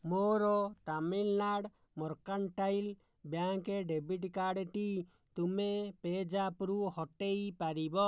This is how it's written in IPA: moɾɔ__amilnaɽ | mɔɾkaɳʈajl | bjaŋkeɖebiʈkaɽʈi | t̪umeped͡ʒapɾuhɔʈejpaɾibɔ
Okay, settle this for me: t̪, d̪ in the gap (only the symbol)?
t̪